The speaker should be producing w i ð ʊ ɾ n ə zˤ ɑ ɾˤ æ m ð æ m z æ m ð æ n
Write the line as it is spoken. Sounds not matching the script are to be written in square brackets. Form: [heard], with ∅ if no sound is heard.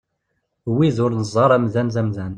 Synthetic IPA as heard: w i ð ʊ ɾ n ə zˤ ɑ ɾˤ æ m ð æ [n] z æ m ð æ n